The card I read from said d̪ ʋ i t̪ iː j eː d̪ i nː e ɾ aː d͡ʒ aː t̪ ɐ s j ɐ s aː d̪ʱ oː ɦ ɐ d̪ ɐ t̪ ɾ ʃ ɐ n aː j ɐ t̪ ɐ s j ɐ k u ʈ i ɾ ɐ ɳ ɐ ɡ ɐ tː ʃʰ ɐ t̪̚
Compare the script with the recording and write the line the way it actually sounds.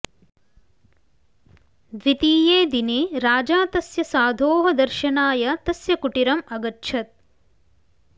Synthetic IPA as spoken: d̪ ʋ i t̪ iː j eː d̪ i n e ɾ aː d͡ʒ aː t̪ ɐ s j ɐ s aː d̪ʱ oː ɦ ɐ d̪ ɐ ɾ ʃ ɐ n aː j ɐ t̪ ɐ s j ɐ k u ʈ i ɾ ɐ m ɐ ɡ ɐ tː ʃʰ ɐ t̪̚